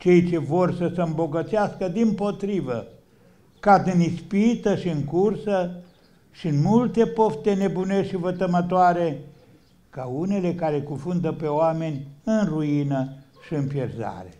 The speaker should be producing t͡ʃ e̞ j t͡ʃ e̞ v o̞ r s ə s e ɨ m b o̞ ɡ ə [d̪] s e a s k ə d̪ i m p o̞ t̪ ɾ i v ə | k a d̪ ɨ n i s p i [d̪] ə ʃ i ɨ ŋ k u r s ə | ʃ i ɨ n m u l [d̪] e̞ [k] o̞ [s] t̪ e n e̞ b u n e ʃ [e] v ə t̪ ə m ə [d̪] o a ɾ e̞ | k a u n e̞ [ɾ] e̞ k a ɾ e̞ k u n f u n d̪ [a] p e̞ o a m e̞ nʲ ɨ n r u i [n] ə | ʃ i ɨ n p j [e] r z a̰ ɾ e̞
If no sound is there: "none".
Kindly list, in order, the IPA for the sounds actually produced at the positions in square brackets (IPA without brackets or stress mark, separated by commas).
t̪, t̪, t̪, p, f, i, t̪, l, ə, n, e